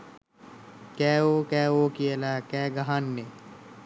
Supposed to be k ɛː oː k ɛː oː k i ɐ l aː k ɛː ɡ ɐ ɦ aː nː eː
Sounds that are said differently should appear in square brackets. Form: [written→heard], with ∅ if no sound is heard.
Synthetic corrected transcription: k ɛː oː k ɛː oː k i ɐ l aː k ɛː ɡ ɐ ɦ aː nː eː